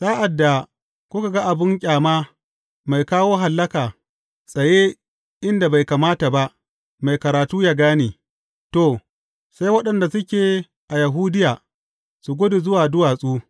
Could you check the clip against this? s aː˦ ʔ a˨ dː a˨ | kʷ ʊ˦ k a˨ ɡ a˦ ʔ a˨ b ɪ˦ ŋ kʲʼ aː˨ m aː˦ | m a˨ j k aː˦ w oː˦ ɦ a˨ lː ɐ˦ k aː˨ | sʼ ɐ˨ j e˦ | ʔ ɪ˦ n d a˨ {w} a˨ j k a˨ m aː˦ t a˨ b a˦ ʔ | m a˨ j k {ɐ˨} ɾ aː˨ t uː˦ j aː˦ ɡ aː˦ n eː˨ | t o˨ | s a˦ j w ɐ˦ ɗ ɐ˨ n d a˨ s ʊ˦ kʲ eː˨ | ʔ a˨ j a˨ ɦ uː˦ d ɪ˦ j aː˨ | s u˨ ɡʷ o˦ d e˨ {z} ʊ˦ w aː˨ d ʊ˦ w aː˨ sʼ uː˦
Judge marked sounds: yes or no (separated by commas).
no, yes, yes